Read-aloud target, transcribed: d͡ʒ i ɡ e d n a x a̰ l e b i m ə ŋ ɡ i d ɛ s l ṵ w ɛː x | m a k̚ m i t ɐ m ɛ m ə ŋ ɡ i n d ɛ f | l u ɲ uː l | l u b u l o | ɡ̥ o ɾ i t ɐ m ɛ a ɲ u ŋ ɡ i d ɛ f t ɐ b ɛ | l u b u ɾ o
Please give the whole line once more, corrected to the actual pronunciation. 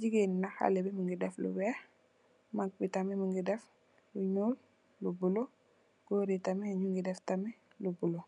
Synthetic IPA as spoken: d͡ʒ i ɡ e n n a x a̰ l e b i m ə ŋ ɡ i d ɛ f l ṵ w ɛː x | m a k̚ b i t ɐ m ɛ m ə ŋ ɡ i d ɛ f | l u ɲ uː l | l u b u l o | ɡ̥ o ɾ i t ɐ m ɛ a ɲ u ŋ ɡ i d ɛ f t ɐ m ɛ | l u b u l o

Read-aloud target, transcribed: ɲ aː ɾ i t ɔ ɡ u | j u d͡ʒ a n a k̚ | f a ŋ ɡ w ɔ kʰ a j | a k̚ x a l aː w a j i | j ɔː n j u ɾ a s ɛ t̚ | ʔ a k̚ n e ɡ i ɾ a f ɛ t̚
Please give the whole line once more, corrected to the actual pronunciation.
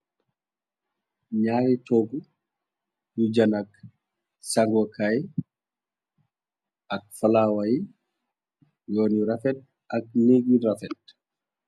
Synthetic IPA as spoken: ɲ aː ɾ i t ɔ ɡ u | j u d͡ʒ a n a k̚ | s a ŋ ɡ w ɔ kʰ a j | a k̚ f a l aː w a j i | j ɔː n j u ɾ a f ɛ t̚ | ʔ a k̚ n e ɡ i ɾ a f ɛ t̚

